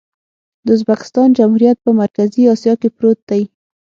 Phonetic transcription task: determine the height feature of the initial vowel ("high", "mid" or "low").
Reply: mid